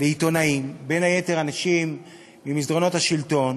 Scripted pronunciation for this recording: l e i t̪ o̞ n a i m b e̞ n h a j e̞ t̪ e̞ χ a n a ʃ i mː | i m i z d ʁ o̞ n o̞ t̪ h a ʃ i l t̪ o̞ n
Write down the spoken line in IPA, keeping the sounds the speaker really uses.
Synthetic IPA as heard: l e i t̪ o̞ n a i m b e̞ n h a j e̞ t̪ e̞ ʁ a n a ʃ i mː | i m i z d ʁ o̞ n o̞ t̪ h a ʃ i l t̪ o̞ n